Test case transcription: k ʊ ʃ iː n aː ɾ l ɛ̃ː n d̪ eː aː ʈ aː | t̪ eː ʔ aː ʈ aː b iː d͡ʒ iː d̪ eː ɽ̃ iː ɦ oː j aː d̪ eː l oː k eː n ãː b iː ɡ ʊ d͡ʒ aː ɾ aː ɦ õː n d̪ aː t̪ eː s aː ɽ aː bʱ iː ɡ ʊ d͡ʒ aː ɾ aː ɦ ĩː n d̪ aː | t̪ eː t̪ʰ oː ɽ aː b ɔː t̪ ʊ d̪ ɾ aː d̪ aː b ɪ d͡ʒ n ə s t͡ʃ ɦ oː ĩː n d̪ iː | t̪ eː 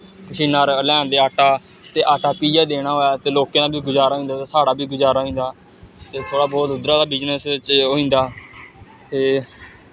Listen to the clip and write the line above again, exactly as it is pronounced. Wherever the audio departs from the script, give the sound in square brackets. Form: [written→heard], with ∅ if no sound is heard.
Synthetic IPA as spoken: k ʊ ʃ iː n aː ɾ l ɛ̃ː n d̪ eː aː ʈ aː | t̪ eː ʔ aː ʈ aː [b→p] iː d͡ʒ [iː→aː] d̪ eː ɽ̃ [iː→aː] ɦ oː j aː [d̪→t̪] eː l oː k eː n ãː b iː ɡ ʊ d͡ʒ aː ɾ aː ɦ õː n d̪ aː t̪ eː s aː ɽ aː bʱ iː ɡ ʊ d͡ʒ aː ɾ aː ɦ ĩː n d̪ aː | t̪ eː t̪ʰ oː ɽ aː b ɔː t̪ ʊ d̪ ɾ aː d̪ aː b ɪ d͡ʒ n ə s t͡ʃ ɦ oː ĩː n d̪ [iː→aː] | t̪ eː